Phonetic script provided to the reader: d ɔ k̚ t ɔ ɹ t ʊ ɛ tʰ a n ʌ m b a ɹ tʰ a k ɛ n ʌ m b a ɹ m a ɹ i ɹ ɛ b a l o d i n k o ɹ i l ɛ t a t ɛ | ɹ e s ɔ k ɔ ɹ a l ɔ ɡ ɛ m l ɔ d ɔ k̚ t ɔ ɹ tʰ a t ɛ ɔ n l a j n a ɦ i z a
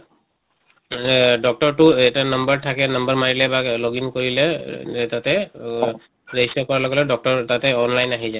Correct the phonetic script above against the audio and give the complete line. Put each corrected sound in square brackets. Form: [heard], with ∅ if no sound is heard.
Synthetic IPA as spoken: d ɔ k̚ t ɔ ɹ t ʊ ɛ [t] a n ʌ m b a ɹ tʰ a k ɛ n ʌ m b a ɹ m a ɹ i [l] ɛ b a l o [ɡ] i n k o ɹ i l ɛ t a t ɛ | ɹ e s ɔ k ɔ ɹ a l ɔ ɡ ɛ [∅] l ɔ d ɔ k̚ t ɔ ɹ [t] a t ɛ ɔ n l a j n a ɦ i z a